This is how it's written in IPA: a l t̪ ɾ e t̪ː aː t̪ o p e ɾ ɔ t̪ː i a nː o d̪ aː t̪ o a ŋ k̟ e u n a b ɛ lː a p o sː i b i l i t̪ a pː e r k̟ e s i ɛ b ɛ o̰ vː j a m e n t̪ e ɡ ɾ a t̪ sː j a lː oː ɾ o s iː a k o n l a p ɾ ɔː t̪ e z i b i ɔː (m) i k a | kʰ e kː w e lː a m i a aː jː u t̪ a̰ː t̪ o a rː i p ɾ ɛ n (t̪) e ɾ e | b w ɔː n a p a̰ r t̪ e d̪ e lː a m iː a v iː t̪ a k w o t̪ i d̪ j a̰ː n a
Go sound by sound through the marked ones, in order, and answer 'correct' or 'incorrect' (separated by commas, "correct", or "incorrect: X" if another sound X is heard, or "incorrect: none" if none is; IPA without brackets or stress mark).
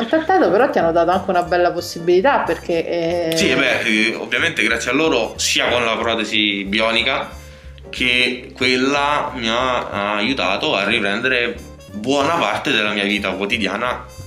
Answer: incorrect: n, incorrect: d̪